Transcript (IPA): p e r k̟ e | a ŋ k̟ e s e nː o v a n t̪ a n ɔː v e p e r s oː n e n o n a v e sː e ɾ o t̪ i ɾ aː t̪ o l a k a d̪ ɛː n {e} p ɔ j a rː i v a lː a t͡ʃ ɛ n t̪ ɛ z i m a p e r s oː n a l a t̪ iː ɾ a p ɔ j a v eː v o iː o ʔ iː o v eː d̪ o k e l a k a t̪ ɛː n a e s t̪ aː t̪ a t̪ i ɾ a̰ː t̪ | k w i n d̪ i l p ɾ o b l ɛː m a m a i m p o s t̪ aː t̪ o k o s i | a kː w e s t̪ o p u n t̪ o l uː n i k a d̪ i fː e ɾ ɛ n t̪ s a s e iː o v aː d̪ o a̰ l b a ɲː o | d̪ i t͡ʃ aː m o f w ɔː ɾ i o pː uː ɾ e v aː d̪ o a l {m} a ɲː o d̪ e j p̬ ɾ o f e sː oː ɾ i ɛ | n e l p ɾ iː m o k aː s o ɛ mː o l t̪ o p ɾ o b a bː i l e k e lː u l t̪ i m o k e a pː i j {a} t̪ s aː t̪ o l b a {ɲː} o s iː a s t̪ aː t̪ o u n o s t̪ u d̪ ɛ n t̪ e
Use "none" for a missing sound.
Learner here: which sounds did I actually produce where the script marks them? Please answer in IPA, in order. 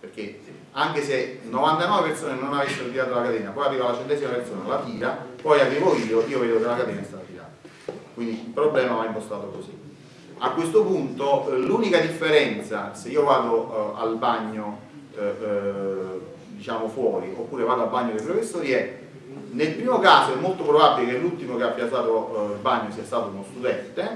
a, b, a, ɲː

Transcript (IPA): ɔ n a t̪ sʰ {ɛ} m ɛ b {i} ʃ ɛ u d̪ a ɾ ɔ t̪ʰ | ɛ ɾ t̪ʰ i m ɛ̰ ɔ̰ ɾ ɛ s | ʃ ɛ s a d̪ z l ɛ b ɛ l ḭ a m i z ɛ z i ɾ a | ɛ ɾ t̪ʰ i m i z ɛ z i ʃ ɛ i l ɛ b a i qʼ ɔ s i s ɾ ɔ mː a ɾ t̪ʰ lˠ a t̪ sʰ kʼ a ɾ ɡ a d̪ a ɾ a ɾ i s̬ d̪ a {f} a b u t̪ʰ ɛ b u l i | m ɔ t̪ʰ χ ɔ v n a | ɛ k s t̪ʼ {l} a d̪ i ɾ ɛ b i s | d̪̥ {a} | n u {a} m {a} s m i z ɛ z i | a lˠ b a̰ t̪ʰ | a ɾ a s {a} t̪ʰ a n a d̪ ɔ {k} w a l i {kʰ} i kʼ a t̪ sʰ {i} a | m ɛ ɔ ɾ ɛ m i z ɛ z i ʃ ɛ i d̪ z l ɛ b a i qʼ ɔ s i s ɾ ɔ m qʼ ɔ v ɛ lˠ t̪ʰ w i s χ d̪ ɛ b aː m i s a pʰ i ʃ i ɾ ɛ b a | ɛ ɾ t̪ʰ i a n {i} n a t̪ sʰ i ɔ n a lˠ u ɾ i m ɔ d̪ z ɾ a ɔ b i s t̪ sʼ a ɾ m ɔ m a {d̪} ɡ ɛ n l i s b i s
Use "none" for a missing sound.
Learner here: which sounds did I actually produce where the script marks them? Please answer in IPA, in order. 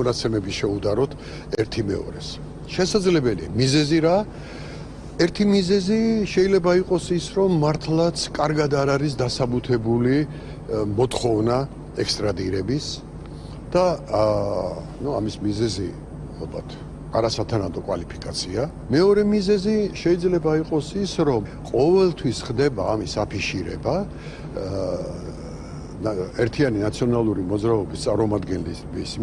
ɛ, i, s, ɾ, a, a, i, a, kʼ, pʰ, i, i, d̪

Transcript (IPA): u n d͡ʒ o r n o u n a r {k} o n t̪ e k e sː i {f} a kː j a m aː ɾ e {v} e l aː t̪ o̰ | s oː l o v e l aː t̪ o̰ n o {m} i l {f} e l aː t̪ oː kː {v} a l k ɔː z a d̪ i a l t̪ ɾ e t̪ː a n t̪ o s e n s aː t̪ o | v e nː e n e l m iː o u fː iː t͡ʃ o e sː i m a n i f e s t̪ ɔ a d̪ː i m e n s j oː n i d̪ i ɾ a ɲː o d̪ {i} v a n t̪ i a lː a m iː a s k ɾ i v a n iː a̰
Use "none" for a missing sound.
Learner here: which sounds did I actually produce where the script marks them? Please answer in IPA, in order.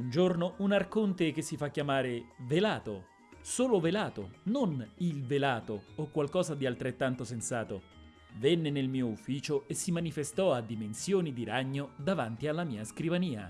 k, f, v, n, v, w, a

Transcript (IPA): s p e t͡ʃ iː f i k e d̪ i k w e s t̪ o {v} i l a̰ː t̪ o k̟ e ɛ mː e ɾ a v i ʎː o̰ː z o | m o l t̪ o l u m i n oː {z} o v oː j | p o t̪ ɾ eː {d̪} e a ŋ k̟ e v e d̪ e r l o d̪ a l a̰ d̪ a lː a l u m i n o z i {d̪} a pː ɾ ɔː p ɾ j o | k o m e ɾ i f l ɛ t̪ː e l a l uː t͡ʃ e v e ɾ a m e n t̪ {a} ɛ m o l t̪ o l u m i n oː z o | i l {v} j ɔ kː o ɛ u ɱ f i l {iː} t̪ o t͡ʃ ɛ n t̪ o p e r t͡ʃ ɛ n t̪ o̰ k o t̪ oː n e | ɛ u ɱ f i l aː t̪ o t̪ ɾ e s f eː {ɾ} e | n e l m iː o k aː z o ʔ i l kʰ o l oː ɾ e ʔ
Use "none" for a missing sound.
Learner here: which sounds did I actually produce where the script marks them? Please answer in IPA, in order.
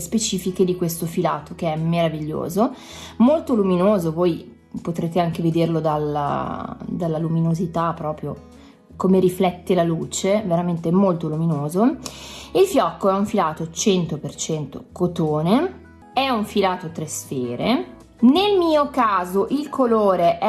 f, z, t̪, t̪, e, f, aː, ɾ

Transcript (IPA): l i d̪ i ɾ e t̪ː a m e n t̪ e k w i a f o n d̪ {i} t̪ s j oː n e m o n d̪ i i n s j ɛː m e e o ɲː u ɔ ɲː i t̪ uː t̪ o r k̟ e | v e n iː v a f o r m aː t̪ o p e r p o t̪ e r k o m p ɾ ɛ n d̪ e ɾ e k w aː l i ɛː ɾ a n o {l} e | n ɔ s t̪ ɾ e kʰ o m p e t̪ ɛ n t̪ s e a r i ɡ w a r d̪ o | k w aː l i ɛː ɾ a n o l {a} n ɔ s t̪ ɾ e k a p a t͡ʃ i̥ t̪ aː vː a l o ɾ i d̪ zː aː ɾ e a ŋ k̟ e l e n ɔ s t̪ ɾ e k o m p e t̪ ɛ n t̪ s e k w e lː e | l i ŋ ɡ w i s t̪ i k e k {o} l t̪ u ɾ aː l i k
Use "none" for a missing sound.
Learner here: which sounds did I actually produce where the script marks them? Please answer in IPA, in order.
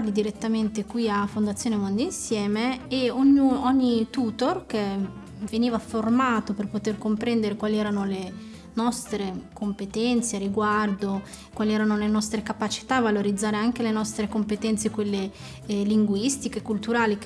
a, l, e, u

